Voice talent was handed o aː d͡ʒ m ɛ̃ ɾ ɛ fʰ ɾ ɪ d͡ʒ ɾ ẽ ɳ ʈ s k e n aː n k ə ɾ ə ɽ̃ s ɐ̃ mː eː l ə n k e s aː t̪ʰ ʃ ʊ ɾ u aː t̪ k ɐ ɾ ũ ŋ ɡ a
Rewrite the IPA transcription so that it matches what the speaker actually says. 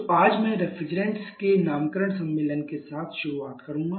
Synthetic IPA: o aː d͡ʒ m ɛ̃ ɾ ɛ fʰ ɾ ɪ d͡ʒ ɾ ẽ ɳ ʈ s k e n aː m k ə ɾ ə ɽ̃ s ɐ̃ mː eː l ə n k e s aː t̪ʰ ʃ ʊ ɾ u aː t̪ k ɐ ɾ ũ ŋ ɡ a